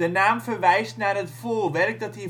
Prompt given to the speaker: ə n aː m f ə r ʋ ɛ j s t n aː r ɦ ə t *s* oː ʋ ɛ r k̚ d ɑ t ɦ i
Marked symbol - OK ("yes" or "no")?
no